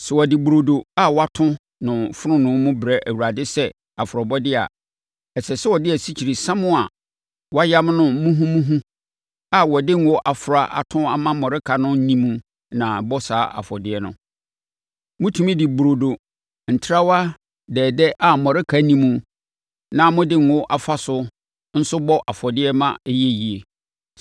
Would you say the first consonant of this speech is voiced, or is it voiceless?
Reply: voiceless